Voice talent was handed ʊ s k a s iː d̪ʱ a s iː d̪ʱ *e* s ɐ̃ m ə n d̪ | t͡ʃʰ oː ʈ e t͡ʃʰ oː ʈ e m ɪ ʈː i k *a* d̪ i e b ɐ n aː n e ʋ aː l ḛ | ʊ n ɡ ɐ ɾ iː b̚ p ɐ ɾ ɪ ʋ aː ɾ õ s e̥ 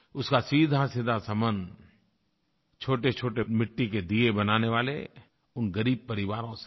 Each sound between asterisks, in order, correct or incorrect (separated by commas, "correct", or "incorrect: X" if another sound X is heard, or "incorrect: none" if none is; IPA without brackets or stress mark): incorrect: a, incorrect: e